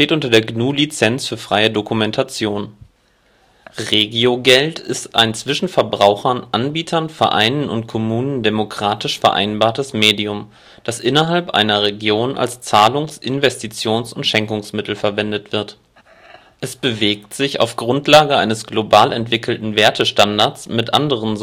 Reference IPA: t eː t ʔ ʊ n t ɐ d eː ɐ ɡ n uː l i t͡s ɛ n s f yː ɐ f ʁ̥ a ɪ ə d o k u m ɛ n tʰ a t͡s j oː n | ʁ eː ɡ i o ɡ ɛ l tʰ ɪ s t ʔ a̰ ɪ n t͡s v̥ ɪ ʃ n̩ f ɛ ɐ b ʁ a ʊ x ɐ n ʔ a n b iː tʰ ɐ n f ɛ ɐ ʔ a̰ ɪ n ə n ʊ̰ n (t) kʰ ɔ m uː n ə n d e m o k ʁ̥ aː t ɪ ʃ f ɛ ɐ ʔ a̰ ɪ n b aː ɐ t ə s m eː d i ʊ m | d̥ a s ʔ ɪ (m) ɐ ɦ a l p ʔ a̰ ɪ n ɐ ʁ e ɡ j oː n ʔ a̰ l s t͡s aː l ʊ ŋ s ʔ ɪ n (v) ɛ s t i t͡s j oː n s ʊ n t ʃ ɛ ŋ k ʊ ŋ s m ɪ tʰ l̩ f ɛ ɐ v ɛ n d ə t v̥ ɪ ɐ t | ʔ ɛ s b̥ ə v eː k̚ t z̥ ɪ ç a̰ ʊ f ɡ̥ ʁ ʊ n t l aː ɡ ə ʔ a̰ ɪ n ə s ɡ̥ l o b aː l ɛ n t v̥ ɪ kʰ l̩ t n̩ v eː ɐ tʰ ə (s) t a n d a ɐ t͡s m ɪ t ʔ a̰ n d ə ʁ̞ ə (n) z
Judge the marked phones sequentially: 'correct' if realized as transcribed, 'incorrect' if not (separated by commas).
correct, incorrect, correct, incorrect, correct